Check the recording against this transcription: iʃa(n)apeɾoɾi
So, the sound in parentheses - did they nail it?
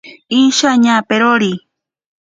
no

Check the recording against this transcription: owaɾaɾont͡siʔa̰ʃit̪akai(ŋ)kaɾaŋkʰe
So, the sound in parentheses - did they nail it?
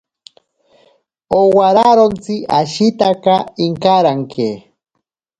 yes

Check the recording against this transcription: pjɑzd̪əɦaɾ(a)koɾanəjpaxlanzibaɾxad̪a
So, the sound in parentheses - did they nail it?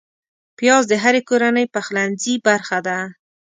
no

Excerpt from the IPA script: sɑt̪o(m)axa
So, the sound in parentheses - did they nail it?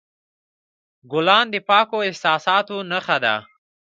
no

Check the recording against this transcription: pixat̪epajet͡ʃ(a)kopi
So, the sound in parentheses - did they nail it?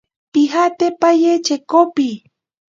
no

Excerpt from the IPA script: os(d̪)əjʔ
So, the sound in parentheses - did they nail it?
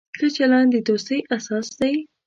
no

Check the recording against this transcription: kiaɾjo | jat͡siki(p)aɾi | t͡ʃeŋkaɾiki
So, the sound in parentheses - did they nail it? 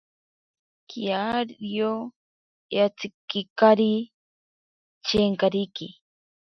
no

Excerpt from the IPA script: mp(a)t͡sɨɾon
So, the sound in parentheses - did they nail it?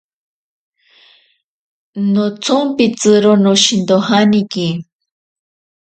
no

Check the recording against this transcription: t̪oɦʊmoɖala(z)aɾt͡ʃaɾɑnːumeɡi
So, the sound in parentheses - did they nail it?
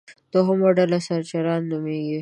no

